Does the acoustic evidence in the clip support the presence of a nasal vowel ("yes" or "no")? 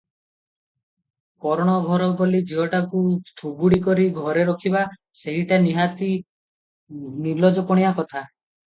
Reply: no